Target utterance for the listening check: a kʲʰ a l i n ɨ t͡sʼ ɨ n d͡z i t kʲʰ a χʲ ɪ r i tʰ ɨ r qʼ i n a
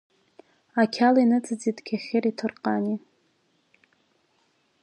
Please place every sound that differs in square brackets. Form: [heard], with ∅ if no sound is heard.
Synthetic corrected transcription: a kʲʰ a l i n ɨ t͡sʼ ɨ [∅] d͡z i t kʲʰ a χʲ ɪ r i tʰ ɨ r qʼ [a] n [i]